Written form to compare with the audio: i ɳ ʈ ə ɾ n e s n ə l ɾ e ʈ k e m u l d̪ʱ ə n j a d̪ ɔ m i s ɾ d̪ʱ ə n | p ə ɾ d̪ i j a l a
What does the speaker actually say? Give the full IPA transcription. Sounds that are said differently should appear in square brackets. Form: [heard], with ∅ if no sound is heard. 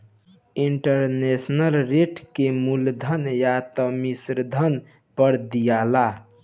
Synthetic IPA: i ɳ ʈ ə ɾ n e s n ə l ɾ e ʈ k e m u l d̪ʱ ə n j a [t̪] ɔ m i s ɾ d̪ʱ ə n | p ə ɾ d̪ i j a l a

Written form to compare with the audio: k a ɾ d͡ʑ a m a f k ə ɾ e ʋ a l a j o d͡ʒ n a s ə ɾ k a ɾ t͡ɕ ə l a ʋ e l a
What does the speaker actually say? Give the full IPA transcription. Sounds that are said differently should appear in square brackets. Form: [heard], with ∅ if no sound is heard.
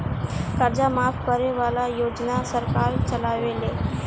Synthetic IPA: k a ɾ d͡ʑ a m a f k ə ɾ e ʋ a l a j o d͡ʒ n a s ə ɾ k a ɾ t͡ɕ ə l a ʋ e l [e]

